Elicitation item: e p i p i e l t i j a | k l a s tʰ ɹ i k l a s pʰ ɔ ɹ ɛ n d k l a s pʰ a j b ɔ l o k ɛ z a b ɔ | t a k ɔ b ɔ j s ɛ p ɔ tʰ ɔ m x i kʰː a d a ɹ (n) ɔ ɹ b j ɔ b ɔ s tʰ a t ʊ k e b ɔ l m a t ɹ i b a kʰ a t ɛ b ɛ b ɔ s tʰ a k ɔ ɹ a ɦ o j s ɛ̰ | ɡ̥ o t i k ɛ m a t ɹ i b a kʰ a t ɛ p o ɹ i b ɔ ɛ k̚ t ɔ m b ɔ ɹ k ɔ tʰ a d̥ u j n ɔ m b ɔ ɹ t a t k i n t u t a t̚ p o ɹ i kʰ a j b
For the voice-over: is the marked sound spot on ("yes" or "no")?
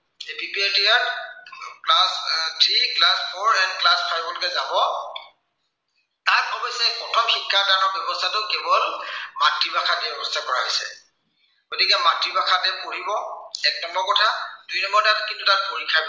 yes